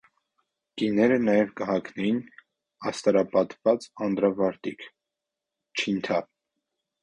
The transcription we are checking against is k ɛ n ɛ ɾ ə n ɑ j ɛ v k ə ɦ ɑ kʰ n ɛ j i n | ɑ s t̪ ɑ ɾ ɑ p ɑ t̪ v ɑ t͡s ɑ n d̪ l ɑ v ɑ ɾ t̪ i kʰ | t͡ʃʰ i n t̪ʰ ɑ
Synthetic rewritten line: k i n ɛ ɾ ə n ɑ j ɛ v k ə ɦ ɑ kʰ n ɛ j i n | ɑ s t̪ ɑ ɾ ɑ p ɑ t̪ v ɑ t͡s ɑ n d̪ ɾ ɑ v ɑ ɾ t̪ i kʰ | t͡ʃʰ i n t̪ʰ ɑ